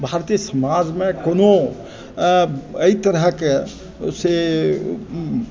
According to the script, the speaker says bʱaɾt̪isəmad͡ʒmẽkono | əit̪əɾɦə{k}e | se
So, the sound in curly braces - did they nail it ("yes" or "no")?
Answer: yes